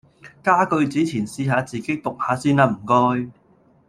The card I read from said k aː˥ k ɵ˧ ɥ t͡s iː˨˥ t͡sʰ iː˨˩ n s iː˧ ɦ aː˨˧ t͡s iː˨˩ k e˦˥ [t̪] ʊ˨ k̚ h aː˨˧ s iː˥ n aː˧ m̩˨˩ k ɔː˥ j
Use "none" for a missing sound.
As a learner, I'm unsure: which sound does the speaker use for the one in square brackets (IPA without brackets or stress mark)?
t̪